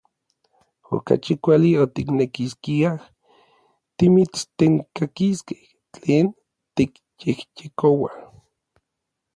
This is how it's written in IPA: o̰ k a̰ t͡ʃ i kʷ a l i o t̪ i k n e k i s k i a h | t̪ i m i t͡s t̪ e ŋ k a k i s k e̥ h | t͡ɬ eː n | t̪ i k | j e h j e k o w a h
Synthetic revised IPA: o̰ k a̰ t͡ʃ i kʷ a l i o t̪ i k n e k i s k i a h | t̪ i m i t͡s t̪ e ŋ k a k i s k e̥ h | t͡ɬ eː n | t̪ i k | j e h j e k o w a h